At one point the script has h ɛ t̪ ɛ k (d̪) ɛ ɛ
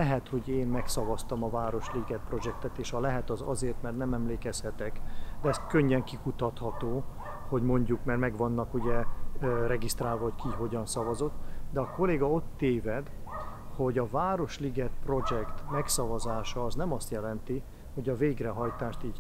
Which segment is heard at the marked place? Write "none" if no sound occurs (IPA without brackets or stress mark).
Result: d̪